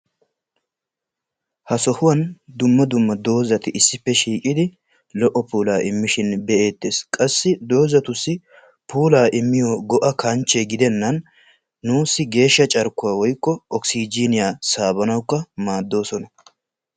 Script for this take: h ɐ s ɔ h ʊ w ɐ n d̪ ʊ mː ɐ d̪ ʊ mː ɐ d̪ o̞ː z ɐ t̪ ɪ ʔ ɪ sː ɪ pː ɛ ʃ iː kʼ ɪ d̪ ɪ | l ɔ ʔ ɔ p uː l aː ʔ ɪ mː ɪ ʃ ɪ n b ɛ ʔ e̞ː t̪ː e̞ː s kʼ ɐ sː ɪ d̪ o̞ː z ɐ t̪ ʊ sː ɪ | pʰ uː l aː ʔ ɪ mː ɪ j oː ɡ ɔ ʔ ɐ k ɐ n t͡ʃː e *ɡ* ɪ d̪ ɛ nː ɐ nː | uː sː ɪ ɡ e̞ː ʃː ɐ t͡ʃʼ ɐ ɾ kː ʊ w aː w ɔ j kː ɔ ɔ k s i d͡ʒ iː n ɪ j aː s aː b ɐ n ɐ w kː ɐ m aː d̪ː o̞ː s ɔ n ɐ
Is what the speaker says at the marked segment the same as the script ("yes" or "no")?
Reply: yes